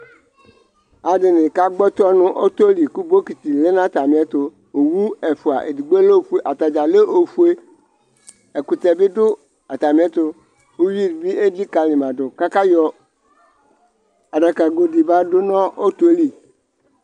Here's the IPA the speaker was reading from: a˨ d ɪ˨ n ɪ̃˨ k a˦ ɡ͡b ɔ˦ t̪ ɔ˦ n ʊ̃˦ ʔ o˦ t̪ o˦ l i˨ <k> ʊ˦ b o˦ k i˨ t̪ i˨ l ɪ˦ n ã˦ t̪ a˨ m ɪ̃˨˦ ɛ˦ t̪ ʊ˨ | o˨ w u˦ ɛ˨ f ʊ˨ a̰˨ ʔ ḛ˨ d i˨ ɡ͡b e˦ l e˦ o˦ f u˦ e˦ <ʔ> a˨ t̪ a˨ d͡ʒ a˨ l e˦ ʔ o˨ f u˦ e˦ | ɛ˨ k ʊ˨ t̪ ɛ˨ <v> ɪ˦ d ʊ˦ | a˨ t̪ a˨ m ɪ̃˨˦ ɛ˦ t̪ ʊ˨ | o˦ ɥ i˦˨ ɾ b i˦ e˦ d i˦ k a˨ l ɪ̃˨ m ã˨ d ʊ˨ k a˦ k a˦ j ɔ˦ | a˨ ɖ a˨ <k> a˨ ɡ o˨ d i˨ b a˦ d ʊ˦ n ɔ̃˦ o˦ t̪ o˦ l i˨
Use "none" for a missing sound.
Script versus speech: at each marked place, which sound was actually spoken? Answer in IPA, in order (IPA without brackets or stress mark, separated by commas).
k, ʔ, b, k